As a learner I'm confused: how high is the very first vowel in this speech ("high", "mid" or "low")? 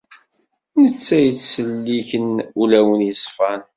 mid